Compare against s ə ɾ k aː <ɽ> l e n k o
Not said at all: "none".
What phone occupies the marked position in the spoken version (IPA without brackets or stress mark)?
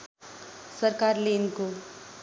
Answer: ɾ